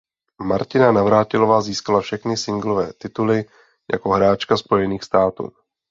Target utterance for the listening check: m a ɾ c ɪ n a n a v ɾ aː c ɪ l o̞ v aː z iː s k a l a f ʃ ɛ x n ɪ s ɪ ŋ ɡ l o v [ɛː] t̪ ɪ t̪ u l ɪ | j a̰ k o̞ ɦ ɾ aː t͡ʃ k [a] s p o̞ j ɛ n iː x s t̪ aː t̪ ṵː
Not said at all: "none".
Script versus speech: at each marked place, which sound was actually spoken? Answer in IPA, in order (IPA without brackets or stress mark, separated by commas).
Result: ɛː, a